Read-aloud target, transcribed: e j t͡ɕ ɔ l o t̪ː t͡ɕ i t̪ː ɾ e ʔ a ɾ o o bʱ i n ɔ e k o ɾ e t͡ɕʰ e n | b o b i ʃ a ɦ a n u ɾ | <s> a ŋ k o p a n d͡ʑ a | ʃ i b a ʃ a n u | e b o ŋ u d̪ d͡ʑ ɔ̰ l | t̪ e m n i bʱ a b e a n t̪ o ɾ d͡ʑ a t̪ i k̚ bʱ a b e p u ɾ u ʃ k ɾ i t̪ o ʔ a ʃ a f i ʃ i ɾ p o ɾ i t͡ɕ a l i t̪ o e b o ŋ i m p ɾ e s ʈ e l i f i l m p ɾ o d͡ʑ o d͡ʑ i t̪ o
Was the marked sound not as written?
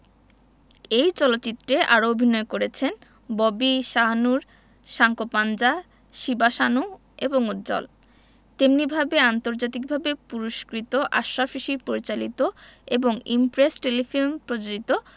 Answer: yes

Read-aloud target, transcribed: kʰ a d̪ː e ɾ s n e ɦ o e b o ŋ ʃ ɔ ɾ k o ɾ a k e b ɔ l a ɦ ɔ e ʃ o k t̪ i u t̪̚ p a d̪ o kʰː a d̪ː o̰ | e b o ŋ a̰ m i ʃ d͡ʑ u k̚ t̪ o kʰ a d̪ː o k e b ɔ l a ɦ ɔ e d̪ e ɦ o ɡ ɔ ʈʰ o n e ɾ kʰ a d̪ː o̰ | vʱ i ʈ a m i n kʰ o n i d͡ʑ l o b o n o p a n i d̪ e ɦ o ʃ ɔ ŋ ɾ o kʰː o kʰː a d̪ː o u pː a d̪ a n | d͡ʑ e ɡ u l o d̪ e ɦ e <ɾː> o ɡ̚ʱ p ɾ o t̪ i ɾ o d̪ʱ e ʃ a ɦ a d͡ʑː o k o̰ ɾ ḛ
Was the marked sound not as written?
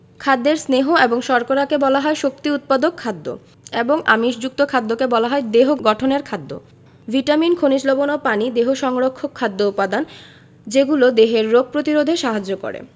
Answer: no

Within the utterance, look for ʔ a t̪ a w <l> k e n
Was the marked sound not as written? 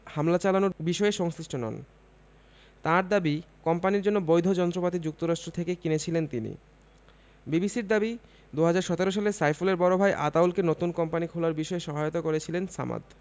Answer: no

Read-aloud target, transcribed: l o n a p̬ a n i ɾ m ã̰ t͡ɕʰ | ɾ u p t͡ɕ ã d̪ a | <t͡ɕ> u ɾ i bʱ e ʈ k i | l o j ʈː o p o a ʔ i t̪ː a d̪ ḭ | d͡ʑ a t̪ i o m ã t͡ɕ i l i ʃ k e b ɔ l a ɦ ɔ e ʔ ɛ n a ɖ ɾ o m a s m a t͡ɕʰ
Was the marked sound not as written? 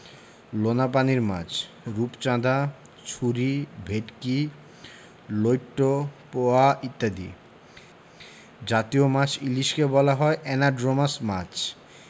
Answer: yes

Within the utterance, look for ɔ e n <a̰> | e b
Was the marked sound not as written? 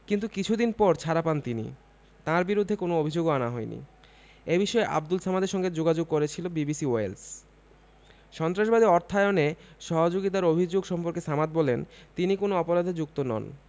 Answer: yes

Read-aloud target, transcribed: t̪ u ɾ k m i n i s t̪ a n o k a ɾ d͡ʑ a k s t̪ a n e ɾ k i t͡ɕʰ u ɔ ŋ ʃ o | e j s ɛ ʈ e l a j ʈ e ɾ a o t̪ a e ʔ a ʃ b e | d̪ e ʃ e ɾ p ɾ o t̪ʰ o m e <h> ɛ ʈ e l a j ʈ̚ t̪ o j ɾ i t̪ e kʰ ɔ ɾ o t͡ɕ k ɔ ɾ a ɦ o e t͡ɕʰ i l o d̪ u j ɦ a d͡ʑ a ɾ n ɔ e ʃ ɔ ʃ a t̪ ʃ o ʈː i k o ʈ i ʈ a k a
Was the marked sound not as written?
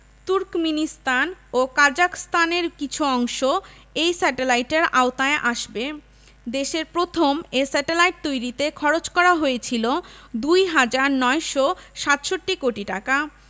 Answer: yes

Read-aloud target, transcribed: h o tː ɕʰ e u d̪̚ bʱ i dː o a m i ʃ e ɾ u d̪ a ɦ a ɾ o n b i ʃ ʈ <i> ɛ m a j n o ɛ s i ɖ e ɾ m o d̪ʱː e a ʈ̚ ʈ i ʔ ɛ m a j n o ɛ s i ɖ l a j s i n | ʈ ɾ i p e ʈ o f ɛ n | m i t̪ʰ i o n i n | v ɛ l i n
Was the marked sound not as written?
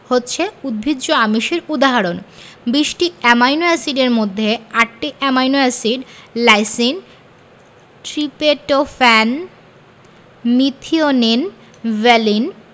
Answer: no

